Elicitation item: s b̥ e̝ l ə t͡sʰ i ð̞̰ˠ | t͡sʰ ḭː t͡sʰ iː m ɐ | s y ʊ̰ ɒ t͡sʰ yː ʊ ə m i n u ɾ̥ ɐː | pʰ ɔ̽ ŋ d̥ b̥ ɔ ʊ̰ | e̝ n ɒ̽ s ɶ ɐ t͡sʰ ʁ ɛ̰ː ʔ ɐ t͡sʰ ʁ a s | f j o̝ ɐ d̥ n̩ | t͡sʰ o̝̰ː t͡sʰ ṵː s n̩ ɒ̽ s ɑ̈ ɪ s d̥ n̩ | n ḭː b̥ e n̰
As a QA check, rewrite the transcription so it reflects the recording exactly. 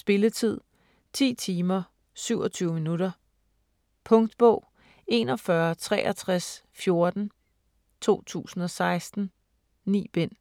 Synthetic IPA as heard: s b̥ e̝ l ə t͡sʰ i ð̞̰ˠ | t͡sʰ ḭː t͡sʰ iː m ɐ | s y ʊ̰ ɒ t͡sʰ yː ʊ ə m i n u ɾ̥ ɐ | pʰ ɔ̽ ŋ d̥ b̥ ɔ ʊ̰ | e̝ n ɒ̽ f ɶ ɐ t͡sʰ ʁ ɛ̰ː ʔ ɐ t͡sʰ ʁ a s | f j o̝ ɐ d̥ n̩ | t͡sʰ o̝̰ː t͡sʰ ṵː s n̩ ɒ̽ s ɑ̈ ɪ s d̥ n̩ | n ḭː b̥ e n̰

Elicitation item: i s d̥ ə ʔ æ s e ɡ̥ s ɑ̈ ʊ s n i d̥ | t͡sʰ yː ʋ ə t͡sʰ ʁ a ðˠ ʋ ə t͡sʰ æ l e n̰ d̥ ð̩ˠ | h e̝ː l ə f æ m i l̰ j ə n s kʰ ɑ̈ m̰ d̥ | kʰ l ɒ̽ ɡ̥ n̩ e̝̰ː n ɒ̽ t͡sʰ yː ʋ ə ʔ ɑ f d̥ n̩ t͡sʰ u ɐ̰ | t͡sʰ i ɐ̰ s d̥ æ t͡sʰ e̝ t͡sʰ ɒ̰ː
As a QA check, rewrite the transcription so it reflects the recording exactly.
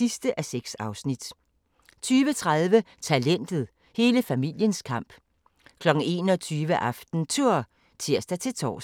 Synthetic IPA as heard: i s d̥ ə ʔ æ s e ɡ̥ s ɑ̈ ʊ s n i d̥ | t͡sʰ yː ʋ ə t͡sʰ ʁ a ðˠ ʋ ə t͡sʰ æ l e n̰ d̥ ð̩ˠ | h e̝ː l ə f æ m i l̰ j ə n s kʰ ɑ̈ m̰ b̥ | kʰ l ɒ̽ ɡ̥ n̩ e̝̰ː n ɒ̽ t͡sʰ yː ʋ ə ʔ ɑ f d̥ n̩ t͡sʰ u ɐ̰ | t͡sʰ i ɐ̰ s d̥ æ t͡sʰ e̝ t͡sʰ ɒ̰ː

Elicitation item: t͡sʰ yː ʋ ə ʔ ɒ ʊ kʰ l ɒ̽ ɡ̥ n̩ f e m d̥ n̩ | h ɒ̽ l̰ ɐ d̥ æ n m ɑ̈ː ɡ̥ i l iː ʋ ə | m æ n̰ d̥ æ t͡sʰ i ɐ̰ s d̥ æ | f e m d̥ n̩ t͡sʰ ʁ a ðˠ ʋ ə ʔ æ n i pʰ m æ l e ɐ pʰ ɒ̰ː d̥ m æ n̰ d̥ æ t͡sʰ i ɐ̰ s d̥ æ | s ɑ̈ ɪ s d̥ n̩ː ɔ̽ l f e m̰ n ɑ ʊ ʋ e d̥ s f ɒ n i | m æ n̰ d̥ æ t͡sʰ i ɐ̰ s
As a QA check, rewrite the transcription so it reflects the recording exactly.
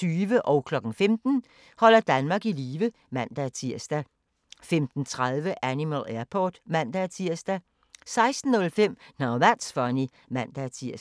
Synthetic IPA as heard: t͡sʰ yː ʋ ə ʔ ɒ ʊ kʰ l ɒ̽ ɡ̥ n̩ f e m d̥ n̩ | h ɒ̽ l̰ ɐ d̥ æ n m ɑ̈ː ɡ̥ i l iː ʋ ə | m æ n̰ d̥ æ t͡sʰ i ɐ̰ s d̥ æ | f e m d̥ n̩ t͡sʰ ʁ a ðˠ ʋ ə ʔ æ n i m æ l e ɐ pʰ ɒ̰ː d̥ m æ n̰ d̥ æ t͡sʰ i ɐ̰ s d̥ æ | s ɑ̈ ɪ s d̥ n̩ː ɔ̽ l f e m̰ n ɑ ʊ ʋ æ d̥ s f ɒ n i | m æ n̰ d̥ æ t͡sʰ i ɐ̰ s

